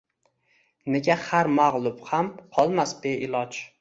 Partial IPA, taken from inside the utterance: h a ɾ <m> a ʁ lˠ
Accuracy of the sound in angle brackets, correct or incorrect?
correct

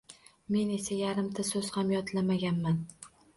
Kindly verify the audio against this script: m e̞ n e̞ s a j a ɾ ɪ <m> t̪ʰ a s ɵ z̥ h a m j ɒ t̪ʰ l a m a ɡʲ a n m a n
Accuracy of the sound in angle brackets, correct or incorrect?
correct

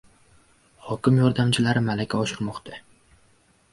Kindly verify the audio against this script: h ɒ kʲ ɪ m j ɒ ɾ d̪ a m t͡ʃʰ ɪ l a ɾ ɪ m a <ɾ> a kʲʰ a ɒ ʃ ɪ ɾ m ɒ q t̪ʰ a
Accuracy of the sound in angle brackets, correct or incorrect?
incorrect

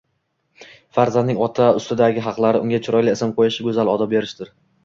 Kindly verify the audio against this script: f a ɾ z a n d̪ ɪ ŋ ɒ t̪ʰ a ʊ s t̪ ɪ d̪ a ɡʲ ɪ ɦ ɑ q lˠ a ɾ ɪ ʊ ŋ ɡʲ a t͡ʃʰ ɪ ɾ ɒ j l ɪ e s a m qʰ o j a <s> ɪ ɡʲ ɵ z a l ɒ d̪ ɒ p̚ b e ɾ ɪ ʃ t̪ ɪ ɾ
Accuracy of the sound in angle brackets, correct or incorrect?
incorrect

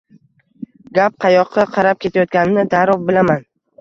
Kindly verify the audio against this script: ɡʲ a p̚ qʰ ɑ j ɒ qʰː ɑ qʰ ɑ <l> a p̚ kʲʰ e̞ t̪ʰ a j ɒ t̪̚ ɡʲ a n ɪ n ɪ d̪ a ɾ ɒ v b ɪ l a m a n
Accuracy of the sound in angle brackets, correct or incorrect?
incorrect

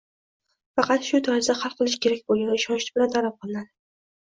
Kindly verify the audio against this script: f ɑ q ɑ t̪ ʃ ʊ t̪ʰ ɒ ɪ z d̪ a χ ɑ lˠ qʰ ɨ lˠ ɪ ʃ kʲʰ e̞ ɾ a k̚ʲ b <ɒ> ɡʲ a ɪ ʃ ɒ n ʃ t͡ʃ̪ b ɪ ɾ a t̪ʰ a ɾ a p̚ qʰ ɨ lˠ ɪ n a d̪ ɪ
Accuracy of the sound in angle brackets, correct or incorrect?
incorrect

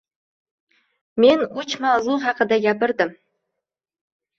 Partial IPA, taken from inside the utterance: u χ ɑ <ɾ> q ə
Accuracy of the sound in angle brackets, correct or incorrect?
incorrect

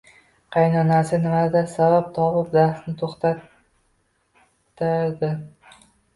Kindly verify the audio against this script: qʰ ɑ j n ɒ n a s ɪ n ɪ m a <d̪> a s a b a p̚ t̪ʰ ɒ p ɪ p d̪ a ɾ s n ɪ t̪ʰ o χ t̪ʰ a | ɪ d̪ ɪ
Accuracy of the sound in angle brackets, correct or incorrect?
correct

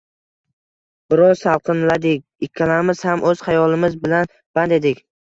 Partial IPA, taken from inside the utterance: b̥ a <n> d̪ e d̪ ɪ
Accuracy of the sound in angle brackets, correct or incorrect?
correct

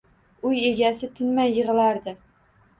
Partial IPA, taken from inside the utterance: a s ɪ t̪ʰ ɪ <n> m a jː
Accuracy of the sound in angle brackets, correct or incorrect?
correct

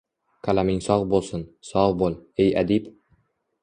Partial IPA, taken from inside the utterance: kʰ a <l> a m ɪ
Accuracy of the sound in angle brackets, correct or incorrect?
correct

